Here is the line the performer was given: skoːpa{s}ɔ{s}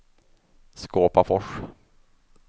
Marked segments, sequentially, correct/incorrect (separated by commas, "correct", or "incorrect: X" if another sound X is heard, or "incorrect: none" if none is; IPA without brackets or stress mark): incorrect: f, incorrect: ʂ